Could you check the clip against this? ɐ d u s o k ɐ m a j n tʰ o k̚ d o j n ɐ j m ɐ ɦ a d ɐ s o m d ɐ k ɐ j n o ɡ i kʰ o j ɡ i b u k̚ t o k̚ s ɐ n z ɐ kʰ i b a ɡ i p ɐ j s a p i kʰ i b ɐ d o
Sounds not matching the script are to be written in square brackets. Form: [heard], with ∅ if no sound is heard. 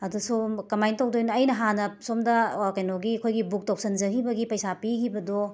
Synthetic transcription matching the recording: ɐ d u s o k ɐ m a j n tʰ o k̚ d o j n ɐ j [n] ɐ ɦ a [n] ɐ s o m d ɐ k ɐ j n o ɡ i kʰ o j ɡ i b u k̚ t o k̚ s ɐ n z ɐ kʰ i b [ɐ] ɡ i p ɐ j s a p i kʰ i b ɐ d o